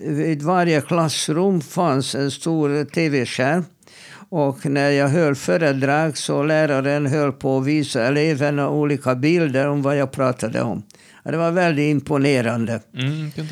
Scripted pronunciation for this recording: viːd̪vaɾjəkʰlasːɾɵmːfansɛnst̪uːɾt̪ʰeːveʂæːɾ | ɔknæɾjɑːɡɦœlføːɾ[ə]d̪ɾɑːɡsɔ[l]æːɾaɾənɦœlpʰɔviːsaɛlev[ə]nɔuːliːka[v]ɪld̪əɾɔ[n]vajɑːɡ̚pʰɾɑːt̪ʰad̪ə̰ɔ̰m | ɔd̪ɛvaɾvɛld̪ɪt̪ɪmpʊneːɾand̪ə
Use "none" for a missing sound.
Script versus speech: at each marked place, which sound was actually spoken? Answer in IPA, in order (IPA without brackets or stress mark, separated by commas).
ə, l, ə, b, m